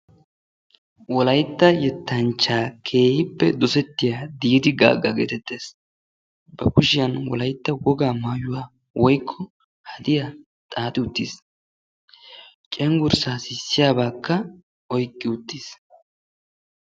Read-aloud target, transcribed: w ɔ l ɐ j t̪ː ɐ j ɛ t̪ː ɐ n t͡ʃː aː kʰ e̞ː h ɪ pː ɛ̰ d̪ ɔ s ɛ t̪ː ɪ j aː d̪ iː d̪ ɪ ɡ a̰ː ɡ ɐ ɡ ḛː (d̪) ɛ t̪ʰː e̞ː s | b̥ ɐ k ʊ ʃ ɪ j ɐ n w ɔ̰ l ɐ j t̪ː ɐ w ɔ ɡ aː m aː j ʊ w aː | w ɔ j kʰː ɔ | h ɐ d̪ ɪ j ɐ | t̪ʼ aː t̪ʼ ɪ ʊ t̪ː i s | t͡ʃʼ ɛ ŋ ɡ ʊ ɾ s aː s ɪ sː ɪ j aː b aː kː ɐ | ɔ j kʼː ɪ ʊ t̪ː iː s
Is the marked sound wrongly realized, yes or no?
yes